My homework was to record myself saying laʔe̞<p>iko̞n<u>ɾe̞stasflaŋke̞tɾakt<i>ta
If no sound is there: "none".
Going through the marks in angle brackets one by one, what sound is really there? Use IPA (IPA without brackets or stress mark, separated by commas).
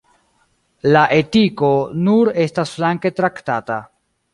t, u, a